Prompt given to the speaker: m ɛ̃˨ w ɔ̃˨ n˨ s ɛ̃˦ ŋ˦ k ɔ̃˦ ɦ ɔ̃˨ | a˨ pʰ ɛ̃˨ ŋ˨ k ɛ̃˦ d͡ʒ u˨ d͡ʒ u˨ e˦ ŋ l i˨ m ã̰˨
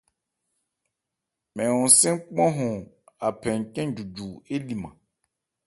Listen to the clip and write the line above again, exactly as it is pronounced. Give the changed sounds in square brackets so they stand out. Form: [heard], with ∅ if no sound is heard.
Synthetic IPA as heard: m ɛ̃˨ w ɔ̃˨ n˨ s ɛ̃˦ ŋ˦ [k͡p] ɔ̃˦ ɦ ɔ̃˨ | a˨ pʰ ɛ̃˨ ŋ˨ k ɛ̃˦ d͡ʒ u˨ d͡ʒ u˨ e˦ [∅] l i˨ m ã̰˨